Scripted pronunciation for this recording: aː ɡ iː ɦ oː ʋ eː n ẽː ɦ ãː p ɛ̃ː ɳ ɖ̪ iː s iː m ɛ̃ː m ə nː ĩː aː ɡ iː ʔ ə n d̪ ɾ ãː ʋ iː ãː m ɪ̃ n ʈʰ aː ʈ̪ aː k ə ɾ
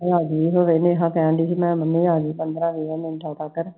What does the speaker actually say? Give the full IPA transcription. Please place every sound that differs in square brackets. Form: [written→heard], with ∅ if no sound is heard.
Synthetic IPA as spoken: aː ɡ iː ɦ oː ʋ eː n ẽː ɦ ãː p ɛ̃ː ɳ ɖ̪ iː s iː m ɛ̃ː m ə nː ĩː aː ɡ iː [ʔ→p] ə n d̪ ɾ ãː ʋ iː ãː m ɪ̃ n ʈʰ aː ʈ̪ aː k ə ɾ